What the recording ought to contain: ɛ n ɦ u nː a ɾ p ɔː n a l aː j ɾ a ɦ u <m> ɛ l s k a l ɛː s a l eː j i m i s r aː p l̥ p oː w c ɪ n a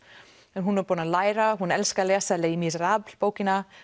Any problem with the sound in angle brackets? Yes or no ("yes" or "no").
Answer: yes